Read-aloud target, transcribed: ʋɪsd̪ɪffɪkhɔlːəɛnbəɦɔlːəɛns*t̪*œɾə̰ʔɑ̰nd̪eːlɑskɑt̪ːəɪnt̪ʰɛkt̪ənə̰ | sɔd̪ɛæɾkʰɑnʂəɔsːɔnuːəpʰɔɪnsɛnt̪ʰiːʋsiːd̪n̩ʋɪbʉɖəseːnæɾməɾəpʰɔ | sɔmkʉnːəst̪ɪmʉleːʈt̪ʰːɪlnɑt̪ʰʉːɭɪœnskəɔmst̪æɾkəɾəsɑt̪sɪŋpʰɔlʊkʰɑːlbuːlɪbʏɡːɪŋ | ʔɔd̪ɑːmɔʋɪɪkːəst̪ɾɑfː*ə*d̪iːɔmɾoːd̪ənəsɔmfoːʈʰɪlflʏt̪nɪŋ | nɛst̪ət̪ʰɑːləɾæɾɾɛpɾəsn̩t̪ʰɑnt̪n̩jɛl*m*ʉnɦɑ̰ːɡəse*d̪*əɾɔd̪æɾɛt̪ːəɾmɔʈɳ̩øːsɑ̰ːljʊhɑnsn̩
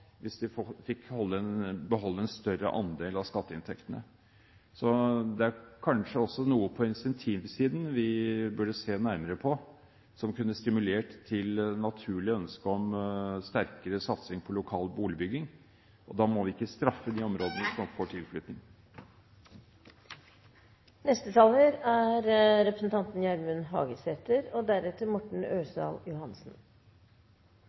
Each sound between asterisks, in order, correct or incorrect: correct, correct, correct, incorrect: t̪

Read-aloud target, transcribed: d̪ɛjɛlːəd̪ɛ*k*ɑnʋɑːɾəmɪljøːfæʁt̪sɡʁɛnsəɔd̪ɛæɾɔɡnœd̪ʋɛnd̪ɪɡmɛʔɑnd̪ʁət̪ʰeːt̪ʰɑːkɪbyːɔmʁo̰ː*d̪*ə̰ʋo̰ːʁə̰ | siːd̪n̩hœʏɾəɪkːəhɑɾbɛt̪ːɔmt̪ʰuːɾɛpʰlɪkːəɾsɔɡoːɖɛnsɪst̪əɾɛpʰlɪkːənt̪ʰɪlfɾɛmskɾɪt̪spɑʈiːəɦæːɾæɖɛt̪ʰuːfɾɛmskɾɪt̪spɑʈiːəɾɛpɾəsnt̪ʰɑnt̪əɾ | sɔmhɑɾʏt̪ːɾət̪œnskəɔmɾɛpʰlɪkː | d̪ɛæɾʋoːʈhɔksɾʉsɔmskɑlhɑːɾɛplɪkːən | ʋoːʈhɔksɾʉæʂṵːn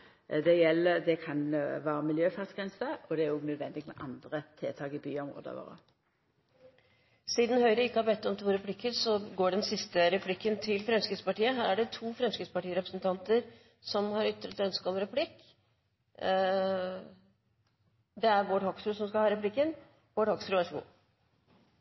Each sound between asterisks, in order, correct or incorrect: incorrect: kʰ, correct

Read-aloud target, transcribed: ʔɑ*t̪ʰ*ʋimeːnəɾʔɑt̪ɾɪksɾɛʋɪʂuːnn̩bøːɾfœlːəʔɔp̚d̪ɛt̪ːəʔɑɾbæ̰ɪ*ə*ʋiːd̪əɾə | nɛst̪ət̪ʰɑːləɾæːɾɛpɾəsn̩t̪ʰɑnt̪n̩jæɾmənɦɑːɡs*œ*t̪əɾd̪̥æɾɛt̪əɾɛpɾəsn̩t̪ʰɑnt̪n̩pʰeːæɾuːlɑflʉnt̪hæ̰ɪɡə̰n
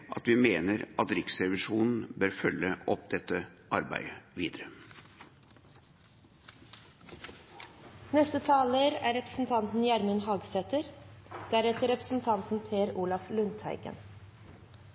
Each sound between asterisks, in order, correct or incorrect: incorrect: t̪, correct, incorrect: ɛ

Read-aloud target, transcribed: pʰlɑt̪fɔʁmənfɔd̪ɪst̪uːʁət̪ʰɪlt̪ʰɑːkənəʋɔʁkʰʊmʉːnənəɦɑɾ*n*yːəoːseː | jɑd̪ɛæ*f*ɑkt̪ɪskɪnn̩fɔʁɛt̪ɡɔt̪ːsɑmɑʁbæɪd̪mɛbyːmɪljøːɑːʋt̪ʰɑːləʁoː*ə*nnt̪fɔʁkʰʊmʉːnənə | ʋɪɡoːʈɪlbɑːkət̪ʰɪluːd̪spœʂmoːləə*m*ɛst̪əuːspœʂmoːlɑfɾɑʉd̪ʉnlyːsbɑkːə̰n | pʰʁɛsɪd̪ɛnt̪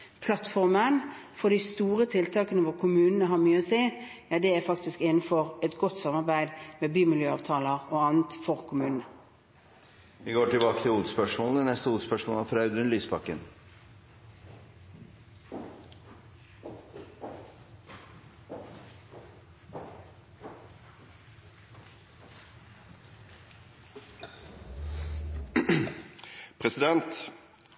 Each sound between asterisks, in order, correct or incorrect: incorrect: m, correct, incorrect: ɑ, incorrect: n

